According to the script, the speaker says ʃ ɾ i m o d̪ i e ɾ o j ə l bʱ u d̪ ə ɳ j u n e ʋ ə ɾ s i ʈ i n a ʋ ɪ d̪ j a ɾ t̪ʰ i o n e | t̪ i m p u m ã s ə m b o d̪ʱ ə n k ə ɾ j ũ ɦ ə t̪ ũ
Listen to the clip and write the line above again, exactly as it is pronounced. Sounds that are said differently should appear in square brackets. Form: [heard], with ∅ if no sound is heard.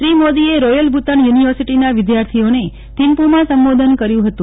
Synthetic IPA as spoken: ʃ ɾ i m o d̪ i e ɾ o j ə l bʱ u [t̪] ə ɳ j u n [i] ʋ ə ɾ s i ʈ i n a ʋ ɪ d̪ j a ɾ t̪ʰ i o n e | t̪ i m p u m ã s ə m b o d̪ʱ ə n k ə ɾ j ũ ɦ ə t̪ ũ

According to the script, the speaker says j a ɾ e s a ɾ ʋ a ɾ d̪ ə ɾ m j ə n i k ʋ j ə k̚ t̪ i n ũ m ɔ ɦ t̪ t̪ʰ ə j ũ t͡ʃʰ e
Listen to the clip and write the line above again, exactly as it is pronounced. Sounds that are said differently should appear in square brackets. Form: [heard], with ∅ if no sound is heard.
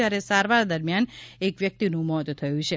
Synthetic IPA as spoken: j a ɾ e s a ɾ ʋ a ɾ d̪ ə ɾ m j [a] n [e] k ʋ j ə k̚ t̪ i n ũ m ɔ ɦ t̪ t̪ʰ ə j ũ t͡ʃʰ e

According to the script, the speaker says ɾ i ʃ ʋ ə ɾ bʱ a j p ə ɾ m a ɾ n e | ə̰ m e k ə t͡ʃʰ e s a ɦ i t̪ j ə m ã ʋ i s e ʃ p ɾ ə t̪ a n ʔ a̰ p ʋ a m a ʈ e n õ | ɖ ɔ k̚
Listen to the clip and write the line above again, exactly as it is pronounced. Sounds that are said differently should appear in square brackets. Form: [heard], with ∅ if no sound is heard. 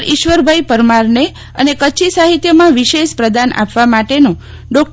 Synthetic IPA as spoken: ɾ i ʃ ʋ ə ɾ bʱ a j p ə ɾ m a ɾ n e | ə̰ [n] e k ə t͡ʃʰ [i] s a ɦ i t̪ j ə m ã ʋ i [ʃ] e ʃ p ɾ ə [d̪] a n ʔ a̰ p ʋ a m a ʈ e n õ | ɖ ɔ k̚

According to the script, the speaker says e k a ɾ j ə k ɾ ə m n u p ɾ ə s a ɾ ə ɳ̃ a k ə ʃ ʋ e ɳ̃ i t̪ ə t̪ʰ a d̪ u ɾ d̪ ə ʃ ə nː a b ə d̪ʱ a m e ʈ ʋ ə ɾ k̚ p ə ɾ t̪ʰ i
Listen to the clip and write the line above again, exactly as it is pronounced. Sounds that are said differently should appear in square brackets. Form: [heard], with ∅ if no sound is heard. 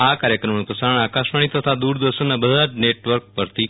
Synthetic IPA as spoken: [a] k a ɾ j ə k ɾ ə m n u p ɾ ə s a ɾ ə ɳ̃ a k [a] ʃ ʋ [a] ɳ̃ i t̪ ə t̪ʰ a d̪ u ɾ d̪ ə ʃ ə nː a b ə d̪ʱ a [n] e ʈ ʋ ə ɾ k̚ p ə ɾ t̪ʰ i

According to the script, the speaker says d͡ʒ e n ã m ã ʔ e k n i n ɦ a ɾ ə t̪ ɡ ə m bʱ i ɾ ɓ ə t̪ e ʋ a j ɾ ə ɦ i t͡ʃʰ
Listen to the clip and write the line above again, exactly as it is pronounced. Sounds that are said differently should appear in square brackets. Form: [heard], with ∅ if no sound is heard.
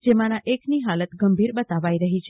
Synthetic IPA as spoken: d͡ʒ e [m] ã [n] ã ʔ e k n i [∅] ɦ a [l] ə t̪ ɡ ə m bʱ i ɾ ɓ ə t̪ [a] ʋ a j ɾ ə ɦ i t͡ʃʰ

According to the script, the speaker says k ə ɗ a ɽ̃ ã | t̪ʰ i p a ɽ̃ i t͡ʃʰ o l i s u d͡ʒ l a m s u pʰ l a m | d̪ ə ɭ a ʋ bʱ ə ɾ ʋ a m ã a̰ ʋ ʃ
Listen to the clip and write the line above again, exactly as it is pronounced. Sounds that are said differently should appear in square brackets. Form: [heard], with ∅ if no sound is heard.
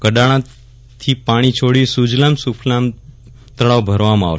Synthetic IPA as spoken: k ə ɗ a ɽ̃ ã | t̪ʰ i p a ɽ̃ i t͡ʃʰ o [ɽ] i s u d͡ʒ l a m s u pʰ l a m | [t̪] ə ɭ a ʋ bʱ ə ɾ ʋ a m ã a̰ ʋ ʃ

